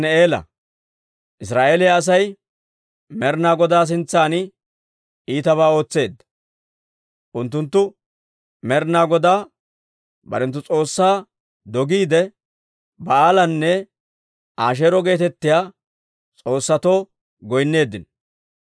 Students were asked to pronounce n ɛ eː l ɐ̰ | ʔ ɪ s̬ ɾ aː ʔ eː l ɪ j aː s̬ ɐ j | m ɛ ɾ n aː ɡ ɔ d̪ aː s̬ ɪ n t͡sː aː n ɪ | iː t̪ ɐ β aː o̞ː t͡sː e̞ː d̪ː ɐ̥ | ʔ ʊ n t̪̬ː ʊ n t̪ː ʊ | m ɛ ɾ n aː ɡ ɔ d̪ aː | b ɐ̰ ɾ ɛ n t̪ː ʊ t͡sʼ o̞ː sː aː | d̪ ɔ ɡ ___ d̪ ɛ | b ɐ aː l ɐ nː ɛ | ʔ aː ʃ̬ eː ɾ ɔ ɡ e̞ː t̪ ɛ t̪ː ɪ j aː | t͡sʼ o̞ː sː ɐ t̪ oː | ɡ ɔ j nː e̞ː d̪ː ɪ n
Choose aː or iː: iː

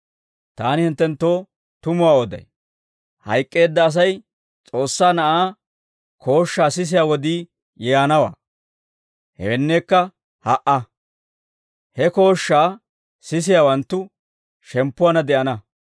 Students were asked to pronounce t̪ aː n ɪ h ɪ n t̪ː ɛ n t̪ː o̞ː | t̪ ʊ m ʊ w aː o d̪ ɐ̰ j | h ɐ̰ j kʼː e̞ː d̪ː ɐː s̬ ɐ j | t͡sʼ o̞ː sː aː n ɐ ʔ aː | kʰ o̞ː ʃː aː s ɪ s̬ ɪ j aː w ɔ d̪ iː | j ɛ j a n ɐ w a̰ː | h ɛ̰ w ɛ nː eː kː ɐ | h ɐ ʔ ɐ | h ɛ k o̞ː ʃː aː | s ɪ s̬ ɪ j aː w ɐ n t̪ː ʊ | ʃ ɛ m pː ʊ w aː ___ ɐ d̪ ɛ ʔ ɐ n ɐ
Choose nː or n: n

